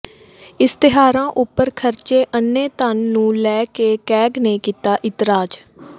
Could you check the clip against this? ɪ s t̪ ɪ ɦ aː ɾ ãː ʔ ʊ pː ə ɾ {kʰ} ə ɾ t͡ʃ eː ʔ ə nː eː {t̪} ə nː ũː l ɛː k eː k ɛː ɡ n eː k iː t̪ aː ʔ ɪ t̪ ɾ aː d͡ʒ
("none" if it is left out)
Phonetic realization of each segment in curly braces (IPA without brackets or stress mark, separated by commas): kʰ, t̪